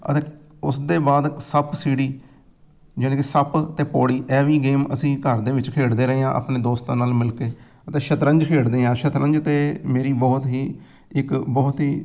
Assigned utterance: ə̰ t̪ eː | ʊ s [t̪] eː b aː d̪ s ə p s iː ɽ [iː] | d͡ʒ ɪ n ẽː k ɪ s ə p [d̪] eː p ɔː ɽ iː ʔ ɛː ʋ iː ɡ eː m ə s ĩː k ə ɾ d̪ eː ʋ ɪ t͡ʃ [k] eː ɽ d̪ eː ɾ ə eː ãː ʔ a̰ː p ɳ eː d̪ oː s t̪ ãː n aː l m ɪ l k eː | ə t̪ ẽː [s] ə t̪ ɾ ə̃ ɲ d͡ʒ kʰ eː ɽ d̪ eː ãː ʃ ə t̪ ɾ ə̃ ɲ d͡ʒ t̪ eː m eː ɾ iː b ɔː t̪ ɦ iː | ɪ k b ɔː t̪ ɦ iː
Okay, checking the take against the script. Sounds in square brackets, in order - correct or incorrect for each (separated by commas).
incorrect, correct, incorrect, incorrect, incorrect